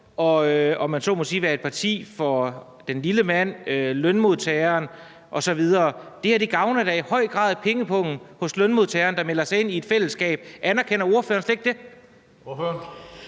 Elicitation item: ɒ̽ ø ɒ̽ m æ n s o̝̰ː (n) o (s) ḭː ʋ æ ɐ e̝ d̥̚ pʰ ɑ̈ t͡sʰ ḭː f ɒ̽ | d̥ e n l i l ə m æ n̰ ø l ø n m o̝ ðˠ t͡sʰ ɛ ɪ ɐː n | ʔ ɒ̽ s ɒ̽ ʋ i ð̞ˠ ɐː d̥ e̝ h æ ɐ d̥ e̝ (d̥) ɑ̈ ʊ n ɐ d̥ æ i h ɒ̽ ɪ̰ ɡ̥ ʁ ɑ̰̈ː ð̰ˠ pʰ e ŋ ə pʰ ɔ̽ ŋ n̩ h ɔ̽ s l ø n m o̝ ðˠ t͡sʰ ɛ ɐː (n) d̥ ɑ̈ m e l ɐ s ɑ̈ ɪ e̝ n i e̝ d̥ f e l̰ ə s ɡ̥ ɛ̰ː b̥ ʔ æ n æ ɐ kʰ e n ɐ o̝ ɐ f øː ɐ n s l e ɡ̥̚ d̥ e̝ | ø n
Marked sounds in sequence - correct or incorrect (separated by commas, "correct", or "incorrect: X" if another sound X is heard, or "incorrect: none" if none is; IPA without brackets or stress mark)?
incorrect: m, correct, incorrect: ɡ̥, correct